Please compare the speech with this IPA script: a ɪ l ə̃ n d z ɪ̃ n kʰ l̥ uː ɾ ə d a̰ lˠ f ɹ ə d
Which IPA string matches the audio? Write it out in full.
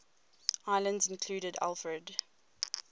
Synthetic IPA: a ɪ l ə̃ n d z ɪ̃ n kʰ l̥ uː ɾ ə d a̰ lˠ f ɹ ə d